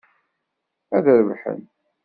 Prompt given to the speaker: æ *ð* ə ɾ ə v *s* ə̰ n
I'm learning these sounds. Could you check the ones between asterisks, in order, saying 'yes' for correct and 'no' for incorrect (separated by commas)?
yes, no